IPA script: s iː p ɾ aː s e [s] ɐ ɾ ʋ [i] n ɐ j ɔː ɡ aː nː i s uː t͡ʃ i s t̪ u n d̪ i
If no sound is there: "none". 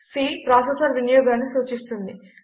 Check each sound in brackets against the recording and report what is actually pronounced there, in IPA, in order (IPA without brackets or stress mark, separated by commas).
s, i